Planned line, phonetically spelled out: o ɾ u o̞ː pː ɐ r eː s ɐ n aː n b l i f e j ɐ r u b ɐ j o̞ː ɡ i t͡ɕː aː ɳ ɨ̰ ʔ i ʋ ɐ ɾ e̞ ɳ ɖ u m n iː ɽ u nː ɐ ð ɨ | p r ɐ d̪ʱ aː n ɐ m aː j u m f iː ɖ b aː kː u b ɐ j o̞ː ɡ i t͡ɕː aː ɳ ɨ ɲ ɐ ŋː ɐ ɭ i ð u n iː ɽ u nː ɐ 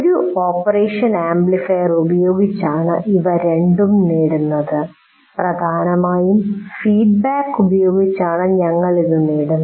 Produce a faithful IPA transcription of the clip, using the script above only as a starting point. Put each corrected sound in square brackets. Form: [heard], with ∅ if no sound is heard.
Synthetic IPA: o ɾ u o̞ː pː ɐ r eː [ʂ] ɐ n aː [m] b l i f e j ɐ r u b ɐ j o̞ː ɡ i t͡ɕː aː ɳ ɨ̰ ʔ i ʋ ɐ ɾ e̞ ɳ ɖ u m n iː ɽ u nː ɐ ð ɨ | p r ɐ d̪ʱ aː n ɐ m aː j u m f iː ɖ b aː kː u b ɐ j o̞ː ɡ i t͡ɕː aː ɳ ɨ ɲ ɐ ŋː ɐ ɭ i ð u n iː ɽ u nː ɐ